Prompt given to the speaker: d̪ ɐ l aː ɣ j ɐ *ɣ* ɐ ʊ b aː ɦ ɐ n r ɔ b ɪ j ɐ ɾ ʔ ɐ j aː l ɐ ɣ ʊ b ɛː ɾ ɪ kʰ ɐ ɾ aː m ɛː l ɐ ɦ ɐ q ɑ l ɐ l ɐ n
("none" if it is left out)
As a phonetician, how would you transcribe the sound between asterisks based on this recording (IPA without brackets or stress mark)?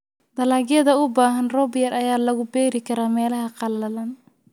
ð